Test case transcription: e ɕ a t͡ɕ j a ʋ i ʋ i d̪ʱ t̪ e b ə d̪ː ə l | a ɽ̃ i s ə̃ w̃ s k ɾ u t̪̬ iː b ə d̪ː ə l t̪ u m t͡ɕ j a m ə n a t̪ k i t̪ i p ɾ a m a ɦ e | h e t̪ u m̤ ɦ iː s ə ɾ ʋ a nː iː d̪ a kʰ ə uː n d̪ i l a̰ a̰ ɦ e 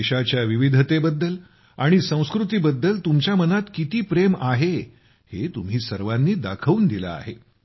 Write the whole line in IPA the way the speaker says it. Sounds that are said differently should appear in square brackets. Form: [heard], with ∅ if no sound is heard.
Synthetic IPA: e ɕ a t͡ɕ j a ʋ i ʋ i d̪ʱ t̪ e b ə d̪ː ə l | a ɽ̃ i s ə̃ w̃ s k ɾ u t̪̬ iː b ə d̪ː ə l t̪ u m t͡ɕ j a m ə n a t̪ k i t̪ [iː] p ɾ [e] m a ɦ e | h e t̪ u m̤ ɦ iː s ə ɾ ʋ a nː iː d̪ a kʰ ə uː n d̪ i l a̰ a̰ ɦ e